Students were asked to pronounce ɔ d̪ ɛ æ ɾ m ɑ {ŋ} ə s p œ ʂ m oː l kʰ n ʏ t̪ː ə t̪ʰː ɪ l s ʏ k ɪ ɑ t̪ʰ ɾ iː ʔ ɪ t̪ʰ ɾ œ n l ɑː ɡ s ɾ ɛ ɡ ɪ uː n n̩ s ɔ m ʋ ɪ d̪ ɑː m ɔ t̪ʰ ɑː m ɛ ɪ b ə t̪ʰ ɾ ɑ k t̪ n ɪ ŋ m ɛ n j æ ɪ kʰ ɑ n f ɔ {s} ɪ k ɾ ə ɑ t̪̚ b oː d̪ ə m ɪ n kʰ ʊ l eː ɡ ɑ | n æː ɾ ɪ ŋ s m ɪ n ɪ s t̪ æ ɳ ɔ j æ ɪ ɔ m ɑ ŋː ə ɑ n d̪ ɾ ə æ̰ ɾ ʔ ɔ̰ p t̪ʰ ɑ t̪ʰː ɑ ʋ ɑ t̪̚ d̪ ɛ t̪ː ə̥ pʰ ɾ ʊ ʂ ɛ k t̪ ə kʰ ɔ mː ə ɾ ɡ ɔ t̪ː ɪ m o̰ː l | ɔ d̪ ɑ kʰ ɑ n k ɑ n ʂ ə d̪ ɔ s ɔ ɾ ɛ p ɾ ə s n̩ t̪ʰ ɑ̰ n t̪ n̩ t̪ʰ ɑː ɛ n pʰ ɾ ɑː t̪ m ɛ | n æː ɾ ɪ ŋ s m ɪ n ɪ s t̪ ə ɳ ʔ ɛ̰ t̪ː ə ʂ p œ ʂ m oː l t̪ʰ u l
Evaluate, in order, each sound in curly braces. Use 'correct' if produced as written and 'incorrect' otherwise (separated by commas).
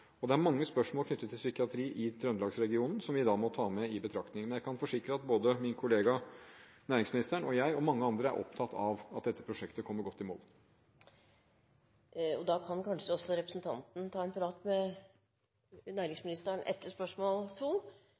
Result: incorrect, incorrect